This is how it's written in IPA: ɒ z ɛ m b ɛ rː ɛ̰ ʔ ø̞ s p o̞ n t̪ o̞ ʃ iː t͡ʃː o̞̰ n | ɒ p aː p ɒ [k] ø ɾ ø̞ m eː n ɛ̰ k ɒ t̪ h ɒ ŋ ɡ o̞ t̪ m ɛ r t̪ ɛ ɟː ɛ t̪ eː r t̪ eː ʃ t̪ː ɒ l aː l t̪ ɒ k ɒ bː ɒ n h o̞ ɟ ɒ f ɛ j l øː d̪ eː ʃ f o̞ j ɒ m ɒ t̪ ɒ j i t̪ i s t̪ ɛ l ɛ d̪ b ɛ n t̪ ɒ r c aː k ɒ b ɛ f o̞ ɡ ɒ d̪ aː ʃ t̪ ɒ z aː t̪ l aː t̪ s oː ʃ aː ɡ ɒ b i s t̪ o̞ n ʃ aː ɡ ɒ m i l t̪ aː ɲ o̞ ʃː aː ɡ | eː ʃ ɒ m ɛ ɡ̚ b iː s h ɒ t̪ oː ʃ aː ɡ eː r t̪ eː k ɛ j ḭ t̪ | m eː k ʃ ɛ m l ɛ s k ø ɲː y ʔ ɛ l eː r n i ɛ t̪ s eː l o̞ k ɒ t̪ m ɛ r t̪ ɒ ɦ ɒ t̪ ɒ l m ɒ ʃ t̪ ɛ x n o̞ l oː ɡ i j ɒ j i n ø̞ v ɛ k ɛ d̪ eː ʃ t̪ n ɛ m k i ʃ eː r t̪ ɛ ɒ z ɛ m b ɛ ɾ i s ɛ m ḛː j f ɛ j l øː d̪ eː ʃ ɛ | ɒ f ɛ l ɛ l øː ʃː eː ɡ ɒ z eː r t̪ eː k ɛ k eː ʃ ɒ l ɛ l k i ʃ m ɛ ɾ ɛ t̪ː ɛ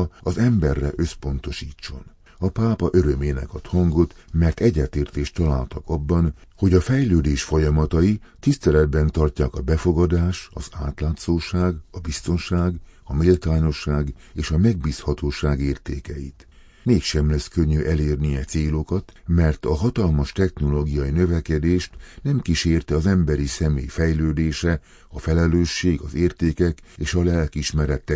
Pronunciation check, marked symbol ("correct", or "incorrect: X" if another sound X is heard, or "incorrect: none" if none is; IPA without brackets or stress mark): incorrect: ʔ